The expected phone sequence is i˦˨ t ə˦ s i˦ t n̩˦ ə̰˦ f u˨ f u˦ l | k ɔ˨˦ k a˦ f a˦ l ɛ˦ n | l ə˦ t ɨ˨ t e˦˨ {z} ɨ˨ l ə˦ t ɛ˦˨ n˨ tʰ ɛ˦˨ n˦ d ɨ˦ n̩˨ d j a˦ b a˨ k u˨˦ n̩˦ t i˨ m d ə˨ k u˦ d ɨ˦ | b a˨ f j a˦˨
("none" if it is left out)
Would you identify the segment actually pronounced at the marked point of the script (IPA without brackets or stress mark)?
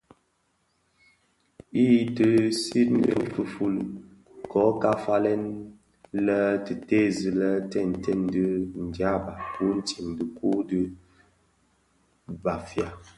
z